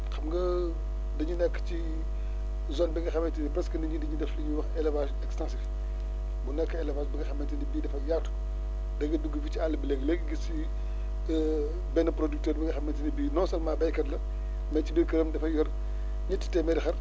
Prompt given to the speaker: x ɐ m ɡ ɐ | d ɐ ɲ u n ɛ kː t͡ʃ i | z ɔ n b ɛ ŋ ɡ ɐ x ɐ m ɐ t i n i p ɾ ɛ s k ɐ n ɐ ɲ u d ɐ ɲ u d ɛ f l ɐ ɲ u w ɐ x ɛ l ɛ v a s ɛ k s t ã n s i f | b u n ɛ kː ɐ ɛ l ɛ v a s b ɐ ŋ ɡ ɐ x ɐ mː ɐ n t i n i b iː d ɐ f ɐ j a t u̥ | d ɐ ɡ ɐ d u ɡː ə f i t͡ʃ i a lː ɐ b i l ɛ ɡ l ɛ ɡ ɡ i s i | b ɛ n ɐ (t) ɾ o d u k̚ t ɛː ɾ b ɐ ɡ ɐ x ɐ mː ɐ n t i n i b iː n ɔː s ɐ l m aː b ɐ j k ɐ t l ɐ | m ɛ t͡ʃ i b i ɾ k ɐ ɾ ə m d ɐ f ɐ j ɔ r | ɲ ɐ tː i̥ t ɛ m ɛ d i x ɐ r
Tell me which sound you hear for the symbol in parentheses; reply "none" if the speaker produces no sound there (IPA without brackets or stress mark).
p